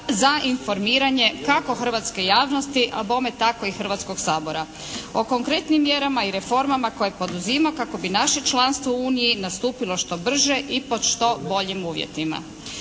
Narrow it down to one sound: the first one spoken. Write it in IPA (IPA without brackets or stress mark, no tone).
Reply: z